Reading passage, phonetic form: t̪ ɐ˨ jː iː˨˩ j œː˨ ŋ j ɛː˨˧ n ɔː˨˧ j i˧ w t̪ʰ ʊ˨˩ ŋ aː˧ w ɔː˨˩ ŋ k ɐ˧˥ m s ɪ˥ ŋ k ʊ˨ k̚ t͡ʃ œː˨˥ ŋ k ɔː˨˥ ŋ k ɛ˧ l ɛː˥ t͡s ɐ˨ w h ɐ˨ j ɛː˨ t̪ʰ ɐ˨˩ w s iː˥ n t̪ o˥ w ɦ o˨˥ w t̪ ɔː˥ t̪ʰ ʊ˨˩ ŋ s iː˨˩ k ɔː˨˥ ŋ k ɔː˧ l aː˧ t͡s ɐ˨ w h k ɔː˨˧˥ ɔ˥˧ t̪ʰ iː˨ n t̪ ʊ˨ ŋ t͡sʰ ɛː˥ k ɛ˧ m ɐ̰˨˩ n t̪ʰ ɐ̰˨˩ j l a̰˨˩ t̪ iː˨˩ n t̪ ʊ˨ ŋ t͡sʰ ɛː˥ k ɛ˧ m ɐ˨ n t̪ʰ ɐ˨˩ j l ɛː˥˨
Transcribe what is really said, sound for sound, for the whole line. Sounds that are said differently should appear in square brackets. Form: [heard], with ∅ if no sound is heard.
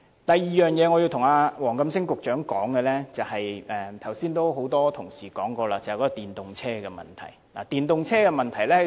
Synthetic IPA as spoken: t̪ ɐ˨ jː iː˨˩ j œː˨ ŋ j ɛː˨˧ [ŋ] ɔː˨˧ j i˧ w t̪ʰ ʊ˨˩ ŋ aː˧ w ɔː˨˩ ŋ k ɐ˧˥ m s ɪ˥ ŋ k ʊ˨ k̚ t͡ʃ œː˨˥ ŋ k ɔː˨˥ ŋ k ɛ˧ l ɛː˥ t͡s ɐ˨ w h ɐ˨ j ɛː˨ t̪ʰ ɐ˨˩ w s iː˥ n t̪ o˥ w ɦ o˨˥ w t̪ ɔː˥ t̪ʰ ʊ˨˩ ŋ s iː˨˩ k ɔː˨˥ ŋ k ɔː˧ l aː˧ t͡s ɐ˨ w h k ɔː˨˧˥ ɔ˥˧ [t̪] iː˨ n t̪ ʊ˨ ŋ t͡sʰ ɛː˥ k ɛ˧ m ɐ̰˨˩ n t̪ʰ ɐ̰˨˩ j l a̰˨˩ t̪ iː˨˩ n t̪ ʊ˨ ŋ t͡sʰ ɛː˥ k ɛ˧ m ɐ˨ n t̪ʰ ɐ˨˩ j l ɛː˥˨